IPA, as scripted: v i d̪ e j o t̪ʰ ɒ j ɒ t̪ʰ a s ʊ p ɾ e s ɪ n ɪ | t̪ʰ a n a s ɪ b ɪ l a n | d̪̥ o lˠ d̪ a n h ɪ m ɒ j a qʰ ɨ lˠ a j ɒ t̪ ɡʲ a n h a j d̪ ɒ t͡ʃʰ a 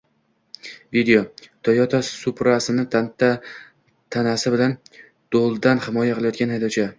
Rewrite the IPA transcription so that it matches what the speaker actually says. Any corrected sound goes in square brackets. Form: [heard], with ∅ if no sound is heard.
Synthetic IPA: v i d̪ e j o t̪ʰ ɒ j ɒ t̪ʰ a s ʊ p ɾ [a] s ɪ n ɪ | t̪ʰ a n a s ɪ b ɪ l a n | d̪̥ o lˠ d̪ a n h ɪ m ɒ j a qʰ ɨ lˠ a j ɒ t̪ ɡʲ a n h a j d̪ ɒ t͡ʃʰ a